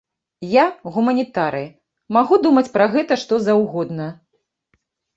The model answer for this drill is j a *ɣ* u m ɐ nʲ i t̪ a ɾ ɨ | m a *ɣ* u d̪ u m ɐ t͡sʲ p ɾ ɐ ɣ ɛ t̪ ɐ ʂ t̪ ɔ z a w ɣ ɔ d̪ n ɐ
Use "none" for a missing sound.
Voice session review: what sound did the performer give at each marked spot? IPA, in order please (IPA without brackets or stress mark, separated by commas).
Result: ɣ, ɣ